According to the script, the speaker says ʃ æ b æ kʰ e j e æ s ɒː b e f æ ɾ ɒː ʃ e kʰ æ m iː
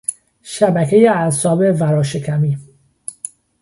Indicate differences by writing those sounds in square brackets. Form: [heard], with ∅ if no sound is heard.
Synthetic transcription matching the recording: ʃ æ b æ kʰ e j e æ s ɒː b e [v] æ ɾ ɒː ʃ e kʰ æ m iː